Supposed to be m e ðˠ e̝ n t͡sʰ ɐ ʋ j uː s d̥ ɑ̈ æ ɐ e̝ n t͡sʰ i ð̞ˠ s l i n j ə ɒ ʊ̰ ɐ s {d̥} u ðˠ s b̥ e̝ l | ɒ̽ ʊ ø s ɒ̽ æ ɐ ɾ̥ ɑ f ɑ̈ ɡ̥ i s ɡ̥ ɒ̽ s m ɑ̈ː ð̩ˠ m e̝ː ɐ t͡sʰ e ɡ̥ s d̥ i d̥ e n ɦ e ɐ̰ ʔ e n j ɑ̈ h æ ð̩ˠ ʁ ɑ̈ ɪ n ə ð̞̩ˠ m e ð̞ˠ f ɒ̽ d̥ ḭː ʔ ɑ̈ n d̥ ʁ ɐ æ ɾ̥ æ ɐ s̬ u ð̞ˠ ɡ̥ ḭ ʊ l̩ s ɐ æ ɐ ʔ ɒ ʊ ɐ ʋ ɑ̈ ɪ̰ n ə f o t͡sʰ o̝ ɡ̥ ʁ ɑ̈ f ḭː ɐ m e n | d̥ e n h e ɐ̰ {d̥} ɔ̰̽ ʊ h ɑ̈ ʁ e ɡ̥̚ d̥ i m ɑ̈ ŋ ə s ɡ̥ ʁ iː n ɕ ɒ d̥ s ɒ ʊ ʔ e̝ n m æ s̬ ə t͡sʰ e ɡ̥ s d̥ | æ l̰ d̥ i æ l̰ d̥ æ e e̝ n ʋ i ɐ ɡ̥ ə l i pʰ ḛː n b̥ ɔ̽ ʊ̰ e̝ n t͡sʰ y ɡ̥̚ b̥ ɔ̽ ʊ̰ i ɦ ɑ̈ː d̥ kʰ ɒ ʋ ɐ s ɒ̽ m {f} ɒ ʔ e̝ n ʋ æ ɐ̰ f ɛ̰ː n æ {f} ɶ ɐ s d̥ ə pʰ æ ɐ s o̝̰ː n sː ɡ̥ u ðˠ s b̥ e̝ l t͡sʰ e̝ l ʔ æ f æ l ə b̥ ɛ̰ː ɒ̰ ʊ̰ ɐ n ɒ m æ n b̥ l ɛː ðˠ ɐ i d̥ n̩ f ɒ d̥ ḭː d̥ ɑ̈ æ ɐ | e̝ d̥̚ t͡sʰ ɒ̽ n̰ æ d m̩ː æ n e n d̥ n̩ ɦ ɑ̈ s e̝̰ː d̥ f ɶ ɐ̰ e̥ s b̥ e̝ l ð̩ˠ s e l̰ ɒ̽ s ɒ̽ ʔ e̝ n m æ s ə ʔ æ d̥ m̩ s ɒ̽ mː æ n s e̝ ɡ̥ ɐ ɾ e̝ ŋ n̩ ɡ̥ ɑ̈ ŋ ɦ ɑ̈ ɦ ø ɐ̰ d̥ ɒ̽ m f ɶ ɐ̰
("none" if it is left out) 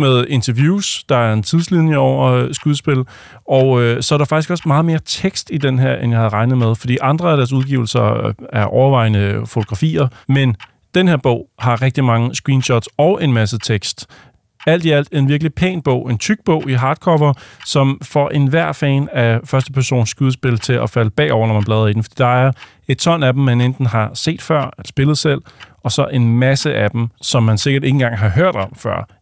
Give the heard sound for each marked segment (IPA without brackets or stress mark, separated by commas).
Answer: ɡ̥, b̥, f, f